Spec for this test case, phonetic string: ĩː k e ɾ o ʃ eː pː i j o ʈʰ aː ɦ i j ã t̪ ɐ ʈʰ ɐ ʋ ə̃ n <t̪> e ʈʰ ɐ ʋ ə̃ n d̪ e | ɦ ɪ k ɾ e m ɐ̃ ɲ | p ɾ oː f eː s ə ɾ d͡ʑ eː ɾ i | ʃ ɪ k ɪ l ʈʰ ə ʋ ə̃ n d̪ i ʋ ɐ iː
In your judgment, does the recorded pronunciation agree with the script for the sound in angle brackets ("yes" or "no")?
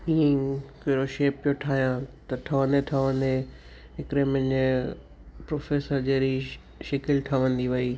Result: no